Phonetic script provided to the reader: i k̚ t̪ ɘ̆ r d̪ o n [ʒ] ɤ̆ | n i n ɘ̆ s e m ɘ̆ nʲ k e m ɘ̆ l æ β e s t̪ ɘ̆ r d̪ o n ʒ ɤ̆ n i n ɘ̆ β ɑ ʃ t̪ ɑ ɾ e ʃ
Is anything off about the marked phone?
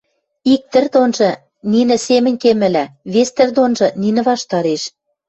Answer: no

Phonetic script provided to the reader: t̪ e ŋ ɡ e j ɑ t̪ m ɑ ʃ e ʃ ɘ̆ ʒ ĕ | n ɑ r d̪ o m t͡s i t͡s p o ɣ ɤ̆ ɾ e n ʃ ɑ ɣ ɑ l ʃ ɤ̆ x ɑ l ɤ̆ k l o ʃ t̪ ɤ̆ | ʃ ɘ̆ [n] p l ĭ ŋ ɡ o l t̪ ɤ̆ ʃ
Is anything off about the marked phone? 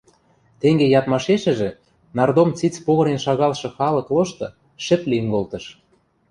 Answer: yes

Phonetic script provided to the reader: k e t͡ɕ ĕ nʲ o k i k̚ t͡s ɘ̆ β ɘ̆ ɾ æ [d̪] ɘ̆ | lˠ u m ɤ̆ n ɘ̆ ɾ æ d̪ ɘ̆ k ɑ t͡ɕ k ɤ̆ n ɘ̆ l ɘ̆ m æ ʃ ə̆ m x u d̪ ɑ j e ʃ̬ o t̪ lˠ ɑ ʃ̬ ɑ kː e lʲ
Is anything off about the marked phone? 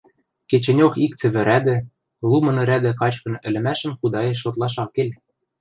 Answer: no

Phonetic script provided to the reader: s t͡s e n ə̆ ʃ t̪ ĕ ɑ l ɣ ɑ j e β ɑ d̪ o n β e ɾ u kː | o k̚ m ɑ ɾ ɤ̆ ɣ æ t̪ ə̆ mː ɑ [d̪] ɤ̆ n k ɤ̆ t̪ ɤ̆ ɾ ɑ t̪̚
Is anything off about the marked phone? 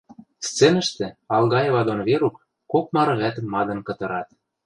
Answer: no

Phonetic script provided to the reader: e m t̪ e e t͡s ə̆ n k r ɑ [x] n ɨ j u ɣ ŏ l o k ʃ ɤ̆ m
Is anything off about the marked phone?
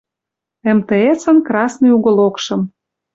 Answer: yes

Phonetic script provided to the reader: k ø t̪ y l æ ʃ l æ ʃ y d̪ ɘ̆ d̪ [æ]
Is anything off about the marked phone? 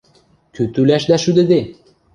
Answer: yes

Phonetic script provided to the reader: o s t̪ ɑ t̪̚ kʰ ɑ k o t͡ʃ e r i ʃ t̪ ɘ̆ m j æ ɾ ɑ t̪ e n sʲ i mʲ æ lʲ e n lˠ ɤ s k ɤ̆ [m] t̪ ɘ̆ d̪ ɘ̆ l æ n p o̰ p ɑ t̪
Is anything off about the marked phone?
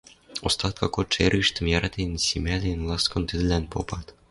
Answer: yes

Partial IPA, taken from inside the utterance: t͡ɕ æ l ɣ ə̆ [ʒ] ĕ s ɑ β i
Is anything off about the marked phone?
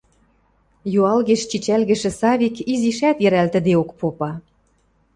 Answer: yes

